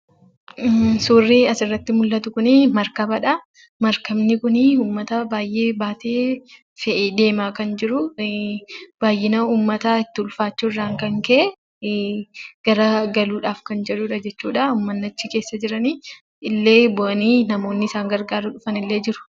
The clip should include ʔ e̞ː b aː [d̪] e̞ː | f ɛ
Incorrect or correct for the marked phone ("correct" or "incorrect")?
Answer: incorrect